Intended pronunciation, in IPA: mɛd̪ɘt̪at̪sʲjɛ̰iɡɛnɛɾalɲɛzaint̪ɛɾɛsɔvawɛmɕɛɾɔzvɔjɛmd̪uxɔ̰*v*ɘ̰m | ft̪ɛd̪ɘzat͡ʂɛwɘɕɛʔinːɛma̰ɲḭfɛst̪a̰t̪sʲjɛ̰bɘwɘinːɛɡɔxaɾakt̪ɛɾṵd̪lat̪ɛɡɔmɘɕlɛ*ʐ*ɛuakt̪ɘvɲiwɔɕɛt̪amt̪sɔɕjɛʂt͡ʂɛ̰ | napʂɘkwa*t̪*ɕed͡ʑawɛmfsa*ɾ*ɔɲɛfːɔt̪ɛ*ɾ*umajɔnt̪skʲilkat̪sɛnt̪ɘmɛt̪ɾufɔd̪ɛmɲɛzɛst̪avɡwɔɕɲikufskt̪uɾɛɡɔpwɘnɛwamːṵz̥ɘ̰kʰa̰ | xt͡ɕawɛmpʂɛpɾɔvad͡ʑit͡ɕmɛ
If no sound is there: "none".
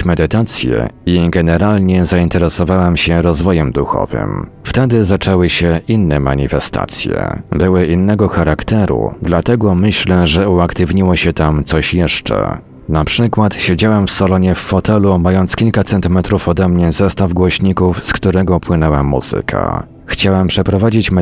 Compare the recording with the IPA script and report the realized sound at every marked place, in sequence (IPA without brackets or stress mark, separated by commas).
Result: v, ʐ, t̪, l, l